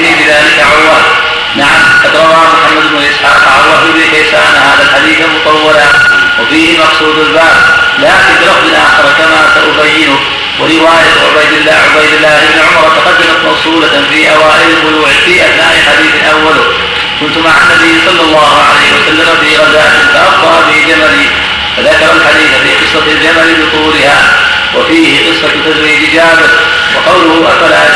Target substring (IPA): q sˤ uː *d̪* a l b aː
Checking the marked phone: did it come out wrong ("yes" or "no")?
no